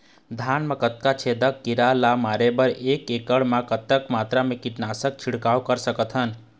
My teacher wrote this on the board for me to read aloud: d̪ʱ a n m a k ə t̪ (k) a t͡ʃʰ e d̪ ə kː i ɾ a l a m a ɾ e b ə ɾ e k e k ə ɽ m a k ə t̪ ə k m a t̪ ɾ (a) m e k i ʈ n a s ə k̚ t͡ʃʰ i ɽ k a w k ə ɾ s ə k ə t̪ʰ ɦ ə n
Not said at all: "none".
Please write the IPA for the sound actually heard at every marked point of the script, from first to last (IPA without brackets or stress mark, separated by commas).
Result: k, a